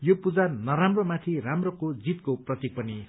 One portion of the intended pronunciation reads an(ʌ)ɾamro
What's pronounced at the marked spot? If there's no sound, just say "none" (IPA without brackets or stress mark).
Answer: ʌ